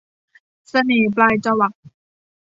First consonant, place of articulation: alveolar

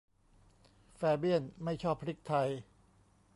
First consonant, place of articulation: labial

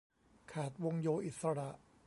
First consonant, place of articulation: velar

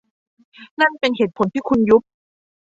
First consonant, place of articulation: alveolar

